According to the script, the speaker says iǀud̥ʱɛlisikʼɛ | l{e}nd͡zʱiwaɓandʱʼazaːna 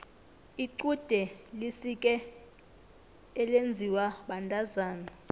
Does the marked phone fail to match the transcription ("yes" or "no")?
no